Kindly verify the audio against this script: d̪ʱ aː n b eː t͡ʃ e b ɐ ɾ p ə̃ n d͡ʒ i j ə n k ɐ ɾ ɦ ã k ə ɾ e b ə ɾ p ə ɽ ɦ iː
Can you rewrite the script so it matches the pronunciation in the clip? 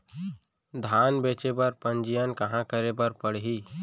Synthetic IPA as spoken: d̪ʱ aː n b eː t͡ʃ e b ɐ ɾ p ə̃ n d͡ʒ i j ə n k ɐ ɦ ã k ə ɾ e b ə ɾ p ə ɽ ɦ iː